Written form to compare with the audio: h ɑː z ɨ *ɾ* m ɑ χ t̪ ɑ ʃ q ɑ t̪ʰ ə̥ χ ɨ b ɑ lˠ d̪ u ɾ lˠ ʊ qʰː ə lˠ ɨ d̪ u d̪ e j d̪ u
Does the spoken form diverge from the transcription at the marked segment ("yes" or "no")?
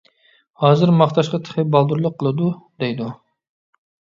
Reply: no